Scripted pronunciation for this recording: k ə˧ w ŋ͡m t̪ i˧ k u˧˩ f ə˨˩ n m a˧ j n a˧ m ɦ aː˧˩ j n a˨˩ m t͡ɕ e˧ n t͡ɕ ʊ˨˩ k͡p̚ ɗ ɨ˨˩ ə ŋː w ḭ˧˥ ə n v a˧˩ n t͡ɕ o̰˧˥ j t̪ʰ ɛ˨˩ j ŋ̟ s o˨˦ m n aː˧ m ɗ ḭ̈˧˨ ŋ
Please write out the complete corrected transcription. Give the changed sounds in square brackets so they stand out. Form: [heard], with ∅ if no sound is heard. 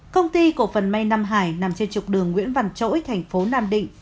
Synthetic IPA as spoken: k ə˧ w ŋ͡m t̪ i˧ k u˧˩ f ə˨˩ n m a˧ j n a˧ m ɦ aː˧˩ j n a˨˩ m t͡ɕ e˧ n t͡ɕ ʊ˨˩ k͡p̚ ɗ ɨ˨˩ ə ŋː w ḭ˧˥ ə n v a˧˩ n t͡ɕ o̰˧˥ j t̪ʰ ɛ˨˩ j ŋ̟ [f] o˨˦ [∅] n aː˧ m ɗ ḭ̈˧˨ ŋ